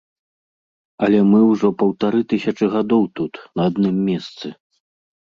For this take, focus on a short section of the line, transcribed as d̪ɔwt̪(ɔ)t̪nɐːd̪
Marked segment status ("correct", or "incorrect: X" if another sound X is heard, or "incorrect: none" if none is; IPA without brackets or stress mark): incorrect: u